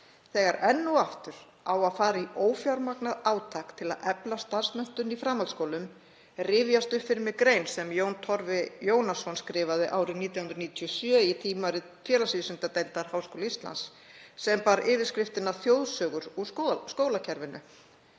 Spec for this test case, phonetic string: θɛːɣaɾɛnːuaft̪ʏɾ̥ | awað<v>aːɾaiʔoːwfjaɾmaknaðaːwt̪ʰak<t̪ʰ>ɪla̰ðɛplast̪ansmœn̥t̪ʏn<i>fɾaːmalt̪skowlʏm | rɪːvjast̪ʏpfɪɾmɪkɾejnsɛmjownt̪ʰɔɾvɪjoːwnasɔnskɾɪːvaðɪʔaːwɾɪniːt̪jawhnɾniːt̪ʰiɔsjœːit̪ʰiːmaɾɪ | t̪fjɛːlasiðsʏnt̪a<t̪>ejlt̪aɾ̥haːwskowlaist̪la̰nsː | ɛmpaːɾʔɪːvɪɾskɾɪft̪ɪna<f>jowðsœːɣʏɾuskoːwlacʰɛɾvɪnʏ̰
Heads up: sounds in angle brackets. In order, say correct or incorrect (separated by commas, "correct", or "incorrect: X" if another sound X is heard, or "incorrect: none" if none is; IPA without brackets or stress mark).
incorrect: f, correct, correct, correct, incorrect: θ